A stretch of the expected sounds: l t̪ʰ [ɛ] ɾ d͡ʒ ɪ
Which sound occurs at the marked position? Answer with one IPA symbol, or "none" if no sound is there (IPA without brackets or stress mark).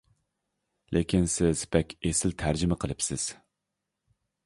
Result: æ